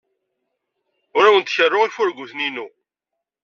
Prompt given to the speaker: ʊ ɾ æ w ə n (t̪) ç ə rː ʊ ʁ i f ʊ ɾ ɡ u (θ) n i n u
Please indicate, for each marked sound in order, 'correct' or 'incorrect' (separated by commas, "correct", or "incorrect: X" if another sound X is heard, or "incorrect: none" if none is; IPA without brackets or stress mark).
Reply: correct, correct